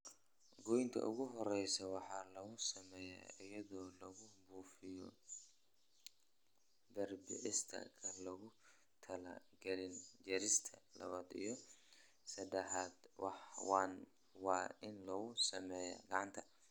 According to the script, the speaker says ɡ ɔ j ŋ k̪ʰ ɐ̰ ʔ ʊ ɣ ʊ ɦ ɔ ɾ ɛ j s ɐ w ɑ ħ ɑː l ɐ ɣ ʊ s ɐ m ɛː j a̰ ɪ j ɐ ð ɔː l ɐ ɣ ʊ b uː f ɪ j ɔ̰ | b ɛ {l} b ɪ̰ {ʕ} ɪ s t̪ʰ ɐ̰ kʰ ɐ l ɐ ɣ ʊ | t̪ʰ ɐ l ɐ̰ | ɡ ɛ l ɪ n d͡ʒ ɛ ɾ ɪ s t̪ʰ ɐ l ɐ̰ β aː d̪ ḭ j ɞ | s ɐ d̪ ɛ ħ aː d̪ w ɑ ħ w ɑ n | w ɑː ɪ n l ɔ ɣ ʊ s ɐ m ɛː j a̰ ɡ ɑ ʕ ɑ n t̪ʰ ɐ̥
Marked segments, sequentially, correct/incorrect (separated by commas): incorrect, correct